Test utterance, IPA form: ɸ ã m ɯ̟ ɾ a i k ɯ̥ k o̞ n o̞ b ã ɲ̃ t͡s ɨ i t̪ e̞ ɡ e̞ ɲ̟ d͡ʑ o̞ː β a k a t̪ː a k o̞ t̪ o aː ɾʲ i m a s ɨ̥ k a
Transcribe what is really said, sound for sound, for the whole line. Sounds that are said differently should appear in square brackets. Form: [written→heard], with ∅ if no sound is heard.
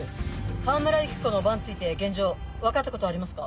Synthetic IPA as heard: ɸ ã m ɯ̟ ɾ a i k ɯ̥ k o̞ n o̞ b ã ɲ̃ t͡s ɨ i t̪ e̞ ɡ [e̞→ẽ̞] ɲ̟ d͡ʑ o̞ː β a k a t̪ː a k o̞ t̪ o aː ɾʲ i m a s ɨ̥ k a